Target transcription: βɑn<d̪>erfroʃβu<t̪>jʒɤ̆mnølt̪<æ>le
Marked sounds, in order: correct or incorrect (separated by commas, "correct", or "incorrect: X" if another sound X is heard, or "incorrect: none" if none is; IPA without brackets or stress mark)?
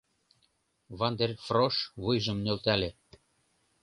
correct, incorrect: none, correct